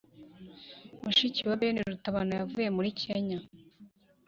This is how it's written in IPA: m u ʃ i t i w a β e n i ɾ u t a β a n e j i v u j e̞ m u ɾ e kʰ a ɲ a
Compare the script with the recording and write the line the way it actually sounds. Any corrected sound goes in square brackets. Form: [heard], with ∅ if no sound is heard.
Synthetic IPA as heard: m u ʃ i [c] i w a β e n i ɾ u t a β a n [a] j [a] v u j e̞ m u ɾ [i] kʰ [e] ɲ a